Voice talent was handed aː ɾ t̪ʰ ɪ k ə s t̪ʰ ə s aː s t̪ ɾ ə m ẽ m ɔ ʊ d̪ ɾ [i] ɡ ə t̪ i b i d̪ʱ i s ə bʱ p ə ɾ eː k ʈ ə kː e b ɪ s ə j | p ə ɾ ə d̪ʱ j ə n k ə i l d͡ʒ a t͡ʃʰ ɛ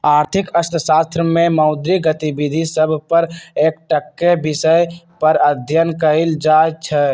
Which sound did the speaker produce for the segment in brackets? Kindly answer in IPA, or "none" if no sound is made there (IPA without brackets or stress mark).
i